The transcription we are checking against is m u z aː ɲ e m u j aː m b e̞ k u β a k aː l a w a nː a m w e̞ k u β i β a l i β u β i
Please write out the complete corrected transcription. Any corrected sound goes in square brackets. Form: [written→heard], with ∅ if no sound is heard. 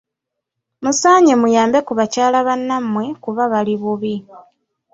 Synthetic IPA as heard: m u [z→s] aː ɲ e m u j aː m b e̞ k u β a [k→c] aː l a [w→β] a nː a m w e̞ k u β [i→a] β a l i β u β i